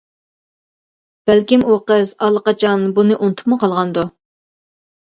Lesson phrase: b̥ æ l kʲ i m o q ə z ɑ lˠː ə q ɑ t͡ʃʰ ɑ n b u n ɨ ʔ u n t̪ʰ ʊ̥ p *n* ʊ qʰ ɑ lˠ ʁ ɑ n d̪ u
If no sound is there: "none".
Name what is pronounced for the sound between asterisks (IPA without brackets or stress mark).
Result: m